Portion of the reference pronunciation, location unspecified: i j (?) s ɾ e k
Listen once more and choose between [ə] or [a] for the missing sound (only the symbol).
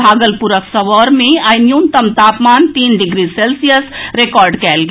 ə